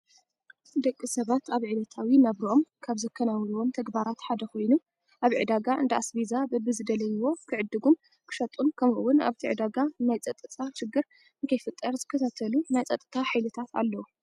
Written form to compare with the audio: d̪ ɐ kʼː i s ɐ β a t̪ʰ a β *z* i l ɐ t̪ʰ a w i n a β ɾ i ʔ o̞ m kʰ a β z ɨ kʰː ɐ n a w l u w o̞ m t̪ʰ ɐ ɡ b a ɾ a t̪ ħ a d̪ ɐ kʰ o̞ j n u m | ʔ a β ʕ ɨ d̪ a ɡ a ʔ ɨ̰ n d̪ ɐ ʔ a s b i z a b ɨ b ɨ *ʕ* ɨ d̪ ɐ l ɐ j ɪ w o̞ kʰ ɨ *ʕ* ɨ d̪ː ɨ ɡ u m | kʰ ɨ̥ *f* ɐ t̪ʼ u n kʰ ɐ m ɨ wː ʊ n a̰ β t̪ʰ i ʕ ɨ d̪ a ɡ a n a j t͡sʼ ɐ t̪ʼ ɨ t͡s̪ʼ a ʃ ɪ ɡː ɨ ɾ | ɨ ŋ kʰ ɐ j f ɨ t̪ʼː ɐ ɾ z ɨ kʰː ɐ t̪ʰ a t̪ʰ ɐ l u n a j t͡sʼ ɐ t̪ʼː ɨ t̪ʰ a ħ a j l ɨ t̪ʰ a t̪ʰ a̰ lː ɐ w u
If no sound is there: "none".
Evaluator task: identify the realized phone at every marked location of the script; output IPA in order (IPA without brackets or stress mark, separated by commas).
ʕ, z, ʕ, ʃ